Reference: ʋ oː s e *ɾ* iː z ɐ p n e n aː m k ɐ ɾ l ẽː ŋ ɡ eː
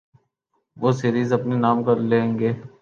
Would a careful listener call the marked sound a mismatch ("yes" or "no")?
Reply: no